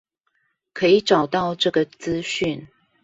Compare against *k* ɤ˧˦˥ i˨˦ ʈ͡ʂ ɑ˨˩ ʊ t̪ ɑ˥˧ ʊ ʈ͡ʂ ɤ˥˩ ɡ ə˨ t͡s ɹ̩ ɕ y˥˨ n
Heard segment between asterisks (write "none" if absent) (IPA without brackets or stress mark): kʰ